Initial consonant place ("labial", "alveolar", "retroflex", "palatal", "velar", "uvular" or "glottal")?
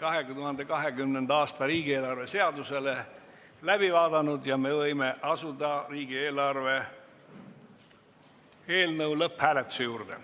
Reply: velar